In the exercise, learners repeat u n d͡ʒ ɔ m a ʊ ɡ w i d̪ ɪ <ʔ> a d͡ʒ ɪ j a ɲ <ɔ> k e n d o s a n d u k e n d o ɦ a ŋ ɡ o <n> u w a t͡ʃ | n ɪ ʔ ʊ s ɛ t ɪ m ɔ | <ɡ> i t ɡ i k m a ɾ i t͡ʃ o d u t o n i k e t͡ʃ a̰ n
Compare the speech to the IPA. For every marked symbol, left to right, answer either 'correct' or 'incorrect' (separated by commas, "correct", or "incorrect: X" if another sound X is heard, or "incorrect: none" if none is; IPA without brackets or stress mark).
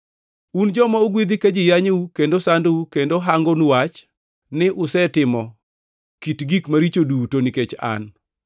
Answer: incorrect: k, incorrect: u, correct, incorrect: k